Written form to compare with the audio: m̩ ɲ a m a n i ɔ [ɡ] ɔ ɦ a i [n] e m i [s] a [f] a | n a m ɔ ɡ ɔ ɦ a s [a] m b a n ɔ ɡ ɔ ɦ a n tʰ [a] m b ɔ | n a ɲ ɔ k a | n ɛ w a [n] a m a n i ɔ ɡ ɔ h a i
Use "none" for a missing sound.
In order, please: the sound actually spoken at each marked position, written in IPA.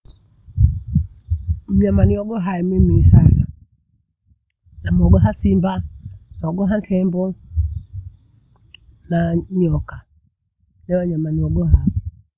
ɡ, m, s, s, i, ɛ, ɲ

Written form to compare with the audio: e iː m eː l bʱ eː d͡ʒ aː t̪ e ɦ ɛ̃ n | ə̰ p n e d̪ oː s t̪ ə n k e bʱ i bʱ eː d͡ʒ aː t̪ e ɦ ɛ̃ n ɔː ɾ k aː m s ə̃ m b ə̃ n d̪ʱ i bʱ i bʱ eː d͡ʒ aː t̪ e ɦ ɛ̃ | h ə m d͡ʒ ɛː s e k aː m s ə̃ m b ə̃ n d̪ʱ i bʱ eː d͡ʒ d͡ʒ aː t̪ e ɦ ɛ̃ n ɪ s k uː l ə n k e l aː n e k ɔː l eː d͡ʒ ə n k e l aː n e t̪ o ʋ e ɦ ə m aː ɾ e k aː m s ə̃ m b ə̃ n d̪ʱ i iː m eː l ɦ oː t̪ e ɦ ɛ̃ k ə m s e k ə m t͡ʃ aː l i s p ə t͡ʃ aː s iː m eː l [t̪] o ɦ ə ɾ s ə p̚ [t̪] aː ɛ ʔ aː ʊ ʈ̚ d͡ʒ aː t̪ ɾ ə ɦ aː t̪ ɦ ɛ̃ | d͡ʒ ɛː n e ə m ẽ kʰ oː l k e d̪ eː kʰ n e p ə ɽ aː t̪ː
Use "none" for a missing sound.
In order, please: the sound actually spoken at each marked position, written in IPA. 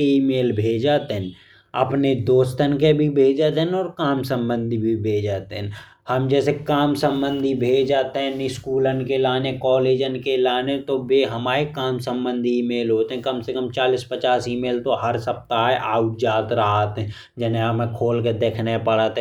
t̪, t̪

